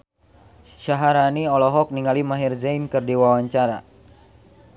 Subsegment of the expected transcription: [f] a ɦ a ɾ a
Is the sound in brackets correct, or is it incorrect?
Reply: incorrect